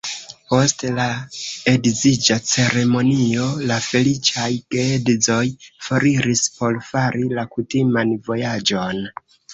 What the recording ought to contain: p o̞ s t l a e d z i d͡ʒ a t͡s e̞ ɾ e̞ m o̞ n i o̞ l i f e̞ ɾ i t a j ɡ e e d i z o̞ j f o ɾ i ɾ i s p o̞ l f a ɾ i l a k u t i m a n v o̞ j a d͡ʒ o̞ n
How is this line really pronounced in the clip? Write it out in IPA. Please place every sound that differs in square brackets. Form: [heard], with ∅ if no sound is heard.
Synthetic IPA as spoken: p o̞ s t l a e d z i d͡ʒ a t͡s e̞ ɾ e̞ m o̞ n i o̞ l [a] f e̞ [l] i [t͡ʃ] a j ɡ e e d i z o̞ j f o ɾ i ɾ i s p o̞ l f a ɾ i l a k u t i m a n v o̞ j a d͡ʒ o̞ n